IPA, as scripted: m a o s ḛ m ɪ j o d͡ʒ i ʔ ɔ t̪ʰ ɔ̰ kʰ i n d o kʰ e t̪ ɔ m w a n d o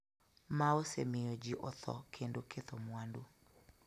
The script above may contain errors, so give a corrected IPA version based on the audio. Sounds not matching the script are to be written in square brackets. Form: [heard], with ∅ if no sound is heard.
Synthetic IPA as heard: m a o s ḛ m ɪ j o d͡ʒ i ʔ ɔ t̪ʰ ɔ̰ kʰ [e] n d o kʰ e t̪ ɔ m w a n d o